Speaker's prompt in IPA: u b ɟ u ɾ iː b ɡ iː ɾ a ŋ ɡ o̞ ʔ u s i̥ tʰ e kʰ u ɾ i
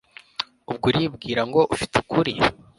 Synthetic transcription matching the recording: u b ɡ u ɾ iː b ɡ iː ɾ a ŋ ɡ o̞ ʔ u f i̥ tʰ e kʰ u ɾ i